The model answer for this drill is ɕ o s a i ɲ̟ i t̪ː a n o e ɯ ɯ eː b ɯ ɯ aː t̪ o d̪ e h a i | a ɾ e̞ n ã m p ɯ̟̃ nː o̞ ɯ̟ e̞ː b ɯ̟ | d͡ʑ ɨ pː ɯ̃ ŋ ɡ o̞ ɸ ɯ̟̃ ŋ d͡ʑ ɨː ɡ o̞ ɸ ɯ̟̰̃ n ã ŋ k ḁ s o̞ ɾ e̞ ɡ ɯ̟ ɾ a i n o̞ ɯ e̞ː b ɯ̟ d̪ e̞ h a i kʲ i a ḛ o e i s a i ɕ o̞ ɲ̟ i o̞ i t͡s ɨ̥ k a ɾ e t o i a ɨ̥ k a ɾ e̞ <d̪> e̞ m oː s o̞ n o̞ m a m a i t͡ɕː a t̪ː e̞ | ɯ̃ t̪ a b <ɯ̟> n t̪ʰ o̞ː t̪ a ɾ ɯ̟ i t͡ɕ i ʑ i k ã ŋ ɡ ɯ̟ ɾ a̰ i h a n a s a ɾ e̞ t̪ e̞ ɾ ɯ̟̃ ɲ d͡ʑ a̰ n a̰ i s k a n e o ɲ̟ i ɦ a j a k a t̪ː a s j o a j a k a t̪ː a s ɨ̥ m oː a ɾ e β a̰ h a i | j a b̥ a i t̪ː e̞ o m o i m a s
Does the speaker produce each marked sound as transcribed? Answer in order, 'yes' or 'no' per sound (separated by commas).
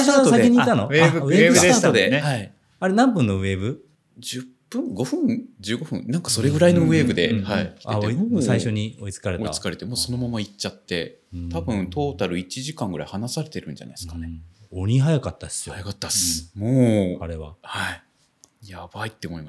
no, no